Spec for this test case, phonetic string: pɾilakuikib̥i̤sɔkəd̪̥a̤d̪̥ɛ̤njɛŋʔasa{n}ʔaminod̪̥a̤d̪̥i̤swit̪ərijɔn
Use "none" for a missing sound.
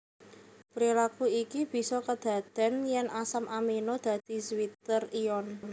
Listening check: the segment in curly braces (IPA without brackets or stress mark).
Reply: m